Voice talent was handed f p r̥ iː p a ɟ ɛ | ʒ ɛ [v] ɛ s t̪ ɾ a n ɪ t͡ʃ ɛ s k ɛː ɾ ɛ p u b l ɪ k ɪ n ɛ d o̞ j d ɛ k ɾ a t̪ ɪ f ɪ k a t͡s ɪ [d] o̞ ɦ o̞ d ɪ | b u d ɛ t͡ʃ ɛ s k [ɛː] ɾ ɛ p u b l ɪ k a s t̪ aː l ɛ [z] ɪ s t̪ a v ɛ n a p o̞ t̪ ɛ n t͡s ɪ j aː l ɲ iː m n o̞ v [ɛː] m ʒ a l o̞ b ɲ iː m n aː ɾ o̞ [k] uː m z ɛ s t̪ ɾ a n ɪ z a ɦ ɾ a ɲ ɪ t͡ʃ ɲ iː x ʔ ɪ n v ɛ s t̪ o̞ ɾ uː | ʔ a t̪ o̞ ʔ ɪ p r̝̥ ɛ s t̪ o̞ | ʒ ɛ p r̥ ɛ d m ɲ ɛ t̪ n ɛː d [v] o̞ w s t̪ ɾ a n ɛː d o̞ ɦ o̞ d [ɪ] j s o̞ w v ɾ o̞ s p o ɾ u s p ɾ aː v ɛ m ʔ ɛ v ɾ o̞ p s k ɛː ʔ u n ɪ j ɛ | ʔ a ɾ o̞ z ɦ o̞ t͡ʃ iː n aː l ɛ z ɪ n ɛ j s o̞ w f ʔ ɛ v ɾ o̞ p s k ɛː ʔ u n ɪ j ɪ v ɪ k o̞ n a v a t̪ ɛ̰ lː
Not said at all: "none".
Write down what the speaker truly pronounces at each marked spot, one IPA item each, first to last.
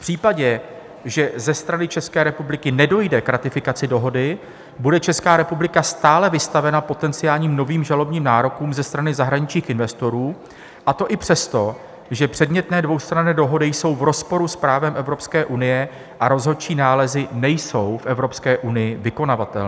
z, d, aː, v, iː, k, v, ɪ

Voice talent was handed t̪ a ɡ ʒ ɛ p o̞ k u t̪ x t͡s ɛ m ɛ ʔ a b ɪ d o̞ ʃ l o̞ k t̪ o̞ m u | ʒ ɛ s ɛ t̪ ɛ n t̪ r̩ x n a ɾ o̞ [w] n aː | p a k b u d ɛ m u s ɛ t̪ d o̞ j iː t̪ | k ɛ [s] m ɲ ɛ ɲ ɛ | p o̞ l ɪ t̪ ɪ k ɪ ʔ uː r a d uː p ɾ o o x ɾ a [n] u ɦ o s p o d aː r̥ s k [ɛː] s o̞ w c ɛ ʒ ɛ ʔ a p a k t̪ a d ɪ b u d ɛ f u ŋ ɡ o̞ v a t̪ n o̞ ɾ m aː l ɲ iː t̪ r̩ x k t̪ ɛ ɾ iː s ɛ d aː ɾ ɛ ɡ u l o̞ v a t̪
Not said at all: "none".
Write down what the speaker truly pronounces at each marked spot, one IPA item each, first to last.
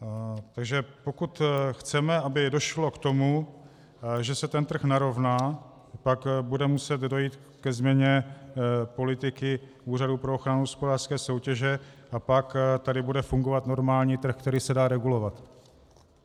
v, z, n, ɛː

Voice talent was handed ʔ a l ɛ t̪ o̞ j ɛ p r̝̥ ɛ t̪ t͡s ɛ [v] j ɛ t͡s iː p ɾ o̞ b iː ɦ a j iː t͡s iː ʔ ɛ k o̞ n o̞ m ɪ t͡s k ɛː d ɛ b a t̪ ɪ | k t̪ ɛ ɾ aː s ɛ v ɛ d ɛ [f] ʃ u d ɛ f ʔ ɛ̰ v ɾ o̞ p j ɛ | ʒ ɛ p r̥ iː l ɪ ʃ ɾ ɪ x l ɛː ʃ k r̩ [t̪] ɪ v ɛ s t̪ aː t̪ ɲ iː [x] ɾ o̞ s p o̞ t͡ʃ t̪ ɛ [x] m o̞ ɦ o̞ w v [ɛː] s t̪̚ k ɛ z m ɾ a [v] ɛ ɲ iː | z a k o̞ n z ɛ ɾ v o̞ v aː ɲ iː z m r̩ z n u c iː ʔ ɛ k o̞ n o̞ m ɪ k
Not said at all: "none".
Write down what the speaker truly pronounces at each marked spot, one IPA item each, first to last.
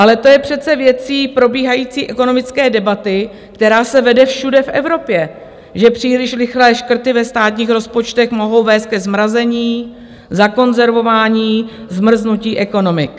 v, f, t̪, x, x, ɛː, z

